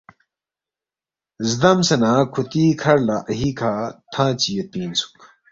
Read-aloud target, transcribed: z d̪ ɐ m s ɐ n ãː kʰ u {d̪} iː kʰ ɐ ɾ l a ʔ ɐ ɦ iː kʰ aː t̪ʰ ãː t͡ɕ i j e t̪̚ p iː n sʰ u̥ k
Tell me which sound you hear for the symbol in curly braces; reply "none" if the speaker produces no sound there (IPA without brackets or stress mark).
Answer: t̪